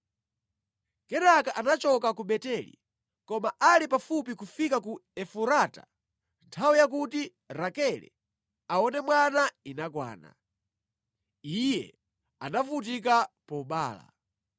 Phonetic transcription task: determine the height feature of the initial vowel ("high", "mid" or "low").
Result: mid